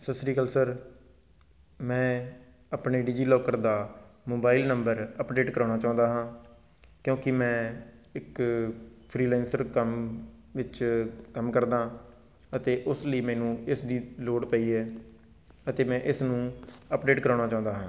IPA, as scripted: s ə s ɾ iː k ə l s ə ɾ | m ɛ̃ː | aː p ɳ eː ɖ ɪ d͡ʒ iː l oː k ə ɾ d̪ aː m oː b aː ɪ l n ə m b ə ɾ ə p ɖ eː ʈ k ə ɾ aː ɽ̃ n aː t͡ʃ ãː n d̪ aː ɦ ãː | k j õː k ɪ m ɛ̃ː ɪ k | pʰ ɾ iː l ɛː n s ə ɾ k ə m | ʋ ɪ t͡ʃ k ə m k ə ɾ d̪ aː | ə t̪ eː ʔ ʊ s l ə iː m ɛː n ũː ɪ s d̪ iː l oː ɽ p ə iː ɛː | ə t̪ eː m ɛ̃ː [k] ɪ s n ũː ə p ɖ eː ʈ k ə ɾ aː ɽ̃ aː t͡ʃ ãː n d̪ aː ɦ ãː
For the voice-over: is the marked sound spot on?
no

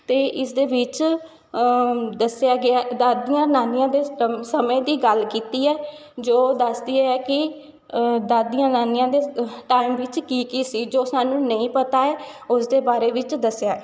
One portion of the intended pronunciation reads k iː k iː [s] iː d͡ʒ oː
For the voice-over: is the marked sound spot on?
yes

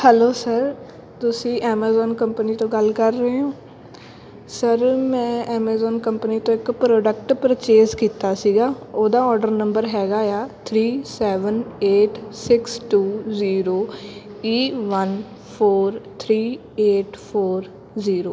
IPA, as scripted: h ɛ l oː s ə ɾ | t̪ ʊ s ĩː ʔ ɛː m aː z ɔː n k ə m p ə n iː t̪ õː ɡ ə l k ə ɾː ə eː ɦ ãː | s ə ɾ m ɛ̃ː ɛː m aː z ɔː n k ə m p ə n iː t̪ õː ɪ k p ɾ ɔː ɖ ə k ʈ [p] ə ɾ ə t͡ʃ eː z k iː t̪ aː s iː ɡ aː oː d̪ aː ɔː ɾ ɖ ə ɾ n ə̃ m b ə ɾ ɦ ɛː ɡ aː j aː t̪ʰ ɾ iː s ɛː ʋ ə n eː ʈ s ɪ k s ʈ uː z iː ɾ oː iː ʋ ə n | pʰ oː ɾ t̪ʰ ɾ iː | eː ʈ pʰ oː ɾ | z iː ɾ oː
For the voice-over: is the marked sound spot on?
yes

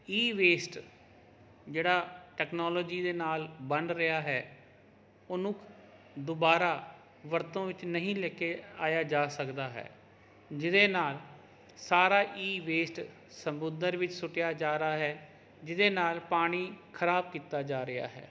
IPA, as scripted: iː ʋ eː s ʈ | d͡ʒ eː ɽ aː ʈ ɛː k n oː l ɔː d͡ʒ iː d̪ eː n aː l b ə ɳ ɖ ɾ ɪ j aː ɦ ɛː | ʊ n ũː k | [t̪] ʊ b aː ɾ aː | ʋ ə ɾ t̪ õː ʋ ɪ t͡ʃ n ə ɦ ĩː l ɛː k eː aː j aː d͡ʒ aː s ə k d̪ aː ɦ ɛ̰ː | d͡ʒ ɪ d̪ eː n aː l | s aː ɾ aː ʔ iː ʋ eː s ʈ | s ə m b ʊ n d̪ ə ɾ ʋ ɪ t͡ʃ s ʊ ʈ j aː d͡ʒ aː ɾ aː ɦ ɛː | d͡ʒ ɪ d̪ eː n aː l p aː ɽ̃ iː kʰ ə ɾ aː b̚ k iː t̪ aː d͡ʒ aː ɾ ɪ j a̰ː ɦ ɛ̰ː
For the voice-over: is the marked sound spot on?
no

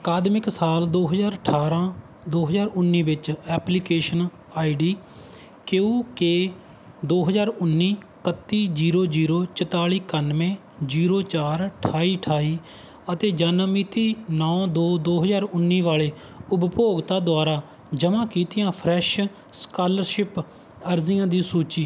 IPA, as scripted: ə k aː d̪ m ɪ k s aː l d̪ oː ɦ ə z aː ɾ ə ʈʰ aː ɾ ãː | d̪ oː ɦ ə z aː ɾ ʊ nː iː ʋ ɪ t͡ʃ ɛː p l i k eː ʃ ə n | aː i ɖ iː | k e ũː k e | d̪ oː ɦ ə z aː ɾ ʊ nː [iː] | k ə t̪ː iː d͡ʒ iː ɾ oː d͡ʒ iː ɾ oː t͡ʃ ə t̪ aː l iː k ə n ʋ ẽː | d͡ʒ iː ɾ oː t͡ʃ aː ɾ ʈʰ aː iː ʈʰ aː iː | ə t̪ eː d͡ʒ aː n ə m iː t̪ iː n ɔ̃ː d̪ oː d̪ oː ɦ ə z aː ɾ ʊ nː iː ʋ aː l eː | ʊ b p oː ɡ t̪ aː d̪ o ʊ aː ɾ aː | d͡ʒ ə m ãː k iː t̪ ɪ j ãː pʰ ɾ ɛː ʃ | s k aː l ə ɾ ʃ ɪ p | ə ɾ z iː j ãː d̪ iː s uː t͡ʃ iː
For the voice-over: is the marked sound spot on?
yes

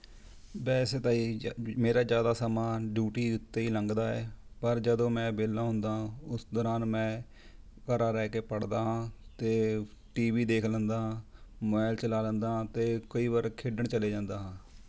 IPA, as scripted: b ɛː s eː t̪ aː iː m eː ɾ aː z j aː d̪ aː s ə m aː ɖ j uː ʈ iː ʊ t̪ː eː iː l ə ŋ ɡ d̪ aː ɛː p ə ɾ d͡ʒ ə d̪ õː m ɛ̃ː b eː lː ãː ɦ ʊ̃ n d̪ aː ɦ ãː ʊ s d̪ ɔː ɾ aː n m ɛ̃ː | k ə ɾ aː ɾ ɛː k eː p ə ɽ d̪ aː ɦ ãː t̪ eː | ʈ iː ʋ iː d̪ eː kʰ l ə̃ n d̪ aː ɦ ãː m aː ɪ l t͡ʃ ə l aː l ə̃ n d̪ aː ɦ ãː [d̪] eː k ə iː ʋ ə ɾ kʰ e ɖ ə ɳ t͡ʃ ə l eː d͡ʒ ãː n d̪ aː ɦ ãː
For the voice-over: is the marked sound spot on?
no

